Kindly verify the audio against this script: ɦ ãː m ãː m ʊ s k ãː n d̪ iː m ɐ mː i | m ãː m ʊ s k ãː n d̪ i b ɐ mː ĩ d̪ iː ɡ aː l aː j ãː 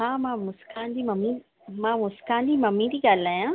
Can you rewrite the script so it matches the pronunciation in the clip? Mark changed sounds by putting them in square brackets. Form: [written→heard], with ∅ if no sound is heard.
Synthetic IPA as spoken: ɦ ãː m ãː m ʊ s k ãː n d̪ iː m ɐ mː i | m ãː m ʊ s k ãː n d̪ i [b→m] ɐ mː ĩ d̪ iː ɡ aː l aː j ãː